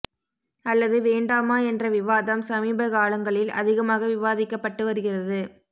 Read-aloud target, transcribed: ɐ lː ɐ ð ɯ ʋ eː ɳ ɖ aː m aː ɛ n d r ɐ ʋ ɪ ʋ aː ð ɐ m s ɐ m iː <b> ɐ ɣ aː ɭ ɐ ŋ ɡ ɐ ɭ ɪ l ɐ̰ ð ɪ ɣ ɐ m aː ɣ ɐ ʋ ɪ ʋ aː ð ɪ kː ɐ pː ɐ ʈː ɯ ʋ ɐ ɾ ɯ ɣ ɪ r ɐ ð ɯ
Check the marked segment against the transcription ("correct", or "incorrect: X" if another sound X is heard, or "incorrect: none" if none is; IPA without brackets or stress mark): correct